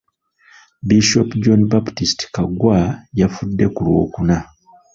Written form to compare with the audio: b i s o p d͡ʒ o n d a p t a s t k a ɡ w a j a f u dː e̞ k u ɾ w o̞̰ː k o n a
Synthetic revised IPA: b i ʃ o p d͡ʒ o n b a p t i s t k a ɡ w a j a f u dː e̞ k u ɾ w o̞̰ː k u n a